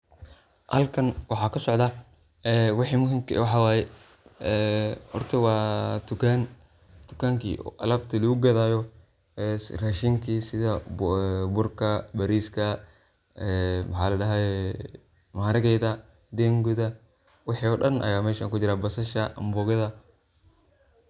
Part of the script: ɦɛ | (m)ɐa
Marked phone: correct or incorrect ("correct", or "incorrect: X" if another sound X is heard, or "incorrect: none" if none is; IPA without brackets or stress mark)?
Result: correct